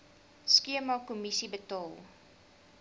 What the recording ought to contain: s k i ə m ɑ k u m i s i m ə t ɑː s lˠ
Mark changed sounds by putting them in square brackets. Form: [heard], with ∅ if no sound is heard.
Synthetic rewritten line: s k i ə m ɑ k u m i s i [b] ə t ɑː [∅] lˠ